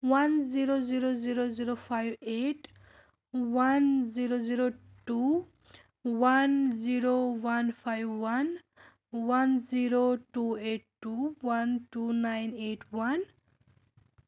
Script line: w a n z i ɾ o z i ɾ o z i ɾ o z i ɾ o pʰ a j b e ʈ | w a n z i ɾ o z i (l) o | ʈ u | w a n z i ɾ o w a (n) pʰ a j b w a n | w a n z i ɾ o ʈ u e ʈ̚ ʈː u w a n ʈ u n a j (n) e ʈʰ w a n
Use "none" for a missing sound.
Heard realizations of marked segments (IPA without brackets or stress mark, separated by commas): ɾ, n, n